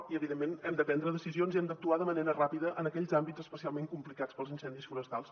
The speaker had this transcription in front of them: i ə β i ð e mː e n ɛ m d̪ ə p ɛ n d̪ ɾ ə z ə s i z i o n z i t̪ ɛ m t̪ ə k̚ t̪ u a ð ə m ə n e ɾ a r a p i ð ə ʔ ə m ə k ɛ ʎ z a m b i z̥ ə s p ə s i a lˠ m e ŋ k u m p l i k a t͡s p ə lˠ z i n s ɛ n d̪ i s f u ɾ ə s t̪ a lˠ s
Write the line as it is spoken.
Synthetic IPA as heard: i ə β i ð e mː e n ɛ m d̪ ə p ɛ n d̪ ɾ ə ð ə s i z i o n z i ɛ m d̪ ə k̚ t̪ u a ð ə m ə n e ɾ ə r a p i ð ə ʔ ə n ə k ɛ ʎ z a m b i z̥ ə s p ə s i a lˠ m e ŋ k u m p l i k a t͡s p ə lˠ z i n s ɛ n d̪ i s f u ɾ ə s t̪ a lˠ s